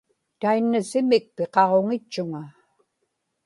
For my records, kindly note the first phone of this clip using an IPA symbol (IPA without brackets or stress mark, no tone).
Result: t̪